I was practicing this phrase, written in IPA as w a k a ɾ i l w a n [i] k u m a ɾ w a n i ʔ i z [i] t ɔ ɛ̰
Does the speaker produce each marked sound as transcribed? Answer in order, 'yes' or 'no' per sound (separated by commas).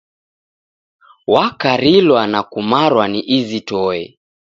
no, yes